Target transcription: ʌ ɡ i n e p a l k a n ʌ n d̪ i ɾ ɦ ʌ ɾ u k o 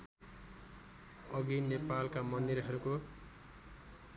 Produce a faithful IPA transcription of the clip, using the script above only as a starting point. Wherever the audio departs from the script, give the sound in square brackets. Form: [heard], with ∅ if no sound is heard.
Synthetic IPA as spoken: ʌ ɡ i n e p a l k a [m] ʌ n d̪ i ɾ ɦ ʌ ɾ u k o